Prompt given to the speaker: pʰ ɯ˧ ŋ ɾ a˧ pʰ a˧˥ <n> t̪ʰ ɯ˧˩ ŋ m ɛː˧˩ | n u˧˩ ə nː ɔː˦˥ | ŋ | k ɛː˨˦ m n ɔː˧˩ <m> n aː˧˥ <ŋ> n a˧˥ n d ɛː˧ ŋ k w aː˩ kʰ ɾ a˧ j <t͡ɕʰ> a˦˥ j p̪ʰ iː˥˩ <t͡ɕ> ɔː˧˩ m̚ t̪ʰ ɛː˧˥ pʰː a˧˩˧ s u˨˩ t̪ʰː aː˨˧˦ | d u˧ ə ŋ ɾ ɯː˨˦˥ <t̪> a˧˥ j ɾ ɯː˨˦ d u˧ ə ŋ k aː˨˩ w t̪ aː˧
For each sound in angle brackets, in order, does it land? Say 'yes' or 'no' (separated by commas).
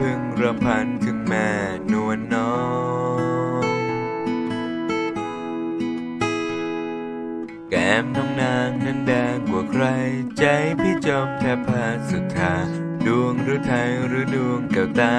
yes, no, yes, no, yes, no